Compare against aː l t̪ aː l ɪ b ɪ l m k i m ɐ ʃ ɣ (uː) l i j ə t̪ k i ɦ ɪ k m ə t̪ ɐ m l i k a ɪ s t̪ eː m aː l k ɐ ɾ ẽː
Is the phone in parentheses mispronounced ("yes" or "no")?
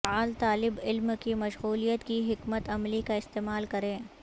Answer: no